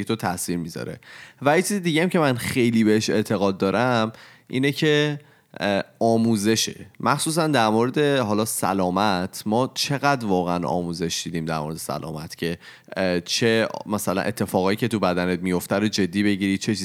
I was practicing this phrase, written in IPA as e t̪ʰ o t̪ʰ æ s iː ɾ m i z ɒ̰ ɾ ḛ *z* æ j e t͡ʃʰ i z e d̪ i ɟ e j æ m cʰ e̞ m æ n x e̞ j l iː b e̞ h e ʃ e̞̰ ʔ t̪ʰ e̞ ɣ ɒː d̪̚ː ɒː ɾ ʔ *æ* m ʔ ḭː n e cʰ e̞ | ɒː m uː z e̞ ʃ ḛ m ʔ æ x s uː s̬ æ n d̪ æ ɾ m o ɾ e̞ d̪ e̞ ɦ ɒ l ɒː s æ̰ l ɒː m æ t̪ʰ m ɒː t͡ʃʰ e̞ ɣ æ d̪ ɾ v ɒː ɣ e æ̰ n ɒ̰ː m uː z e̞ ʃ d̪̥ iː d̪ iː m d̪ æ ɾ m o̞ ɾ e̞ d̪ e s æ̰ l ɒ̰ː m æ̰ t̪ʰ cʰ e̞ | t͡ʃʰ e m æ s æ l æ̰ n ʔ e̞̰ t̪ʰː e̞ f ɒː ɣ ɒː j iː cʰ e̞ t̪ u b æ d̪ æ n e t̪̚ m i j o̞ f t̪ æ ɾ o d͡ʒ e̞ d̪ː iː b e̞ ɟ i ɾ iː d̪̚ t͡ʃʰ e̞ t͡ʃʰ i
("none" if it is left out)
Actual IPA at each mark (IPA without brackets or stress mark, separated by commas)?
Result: v, æ